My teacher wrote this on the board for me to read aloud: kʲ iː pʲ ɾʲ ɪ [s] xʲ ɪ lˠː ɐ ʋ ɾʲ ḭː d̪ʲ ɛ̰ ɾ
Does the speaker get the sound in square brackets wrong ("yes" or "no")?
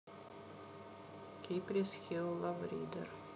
no